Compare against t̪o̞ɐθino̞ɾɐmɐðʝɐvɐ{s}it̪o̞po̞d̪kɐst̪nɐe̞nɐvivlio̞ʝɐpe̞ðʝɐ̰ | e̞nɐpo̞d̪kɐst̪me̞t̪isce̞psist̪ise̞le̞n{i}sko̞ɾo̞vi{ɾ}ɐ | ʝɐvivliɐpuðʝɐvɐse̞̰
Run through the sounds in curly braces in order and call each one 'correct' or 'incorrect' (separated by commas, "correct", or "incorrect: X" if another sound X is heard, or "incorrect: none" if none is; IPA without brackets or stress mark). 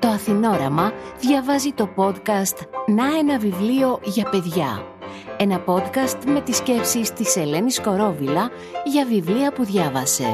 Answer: incorrect: z, correct, incorrect: l